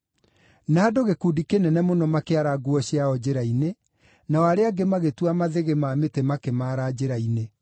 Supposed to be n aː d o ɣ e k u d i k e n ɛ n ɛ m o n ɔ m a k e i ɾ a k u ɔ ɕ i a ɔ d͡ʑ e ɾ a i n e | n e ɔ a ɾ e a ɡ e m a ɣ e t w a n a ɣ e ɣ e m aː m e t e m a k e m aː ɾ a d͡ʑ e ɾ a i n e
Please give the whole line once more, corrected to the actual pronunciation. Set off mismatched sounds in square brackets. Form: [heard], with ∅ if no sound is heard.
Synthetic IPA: n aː d o ɣ e k u d i k e n ɛ n ɛ m o n ɔ m a k e [a] ɾ a [ɡ] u ɔ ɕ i a ɔ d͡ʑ e ɾ a i n e | n [a] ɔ a ɾ e a ɡ e m a ɣ e t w a [m] a [ð] e ɣ e m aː m e t e m a k e m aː ɾ a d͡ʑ e ɾ a i n e